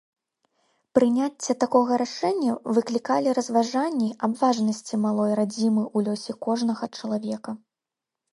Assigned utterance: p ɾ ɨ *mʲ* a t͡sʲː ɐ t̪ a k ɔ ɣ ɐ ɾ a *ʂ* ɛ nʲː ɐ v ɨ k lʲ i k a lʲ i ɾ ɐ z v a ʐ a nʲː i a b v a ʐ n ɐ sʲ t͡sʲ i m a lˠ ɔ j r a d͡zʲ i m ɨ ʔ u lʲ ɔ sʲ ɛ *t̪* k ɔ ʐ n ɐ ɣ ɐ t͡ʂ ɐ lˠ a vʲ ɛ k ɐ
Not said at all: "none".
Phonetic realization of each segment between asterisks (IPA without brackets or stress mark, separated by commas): nʲ, ʂ, none